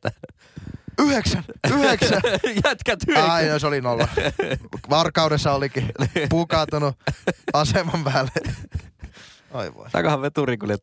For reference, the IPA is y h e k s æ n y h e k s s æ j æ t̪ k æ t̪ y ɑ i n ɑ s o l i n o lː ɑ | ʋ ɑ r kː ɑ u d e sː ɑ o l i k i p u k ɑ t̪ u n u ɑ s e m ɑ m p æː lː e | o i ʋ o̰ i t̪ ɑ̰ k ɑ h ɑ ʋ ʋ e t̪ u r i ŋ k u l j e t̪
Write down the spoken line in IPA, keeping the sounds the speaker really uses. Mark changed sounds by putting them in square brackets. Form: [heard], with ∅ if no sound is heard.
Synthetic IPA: y h e k s æ n y h e k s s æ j æ t̪ k æ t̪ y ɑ i n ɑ s o l i n o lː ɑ | ʋ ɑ r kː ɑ u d e sː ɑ o l i k i p u k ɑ t̪ u n u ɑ s e m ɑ m p æː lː e | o i ʋ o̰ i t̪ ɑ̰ k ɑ h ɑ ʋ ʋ e t̪ u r i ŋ k u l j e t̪